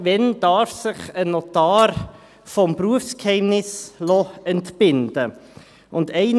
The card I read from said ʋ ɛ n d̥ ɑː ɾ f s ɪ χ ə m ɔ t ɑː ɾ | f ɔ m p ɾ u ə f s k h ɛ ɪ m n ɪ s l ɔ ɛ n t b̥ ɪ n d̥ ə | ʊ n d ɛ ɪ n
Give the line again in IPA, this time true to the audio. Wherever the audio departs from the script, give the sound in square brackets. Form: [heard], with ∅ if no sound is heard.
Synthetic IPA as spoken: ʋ ɛ n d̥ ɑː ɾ f s ɪ χ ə [n] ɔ t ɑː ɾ | f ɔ m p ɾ u ə f s k h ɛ ɪ m n ɪ s l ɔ ɛ n t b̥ ɪ n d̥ ə | ʊ n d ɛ ɪ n